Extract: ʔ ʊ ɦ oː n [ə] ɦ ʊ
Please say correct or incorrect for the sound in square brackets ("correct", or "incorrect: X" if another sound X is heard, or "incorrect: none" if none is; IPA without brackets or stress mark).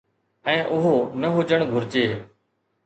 correct